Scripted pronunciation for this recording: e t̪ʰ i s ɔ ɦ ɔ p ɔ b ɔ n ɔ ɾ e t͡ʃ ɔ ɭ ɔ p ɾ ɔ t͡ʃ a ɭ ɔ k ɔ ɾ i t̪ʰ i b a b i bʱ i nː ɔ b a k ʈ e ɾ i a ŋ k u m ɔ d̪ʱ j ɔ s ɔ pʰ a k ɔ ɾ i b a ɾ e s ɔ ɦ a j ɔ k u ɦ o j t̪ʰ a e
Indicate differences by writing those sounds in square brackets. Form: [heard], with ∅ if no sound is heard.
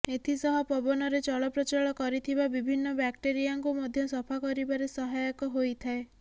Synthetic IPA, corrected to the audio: e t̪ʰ i s ɔ ɦ ɔ p ɔ b ɔ n ɔ ɾ e t͡ʃ ɔ ɭ ɔ p ɾ ɔ t͡ʃ a ɭ ɔ k ɔ ɾ i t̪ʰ i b a b i bʱ i nː ɔ b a k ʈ e ɾ i a ŋ k u m ɔ d̪ʱ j ɔ s ɔ pʰ a k ɔ ɾ i b a ɾ e s ɔ ɦ a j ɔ k [ɔ] ɦ o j t̪ʰ a e